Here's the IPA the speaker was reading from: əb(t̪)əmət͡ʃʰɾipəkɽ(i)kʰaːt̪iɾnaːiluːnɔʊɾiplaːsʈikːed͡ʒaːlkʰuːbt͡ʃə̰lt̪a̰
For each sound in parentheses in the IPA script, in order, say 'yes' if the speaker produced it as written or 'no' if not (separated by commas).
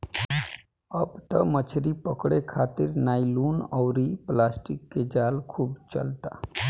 yes, no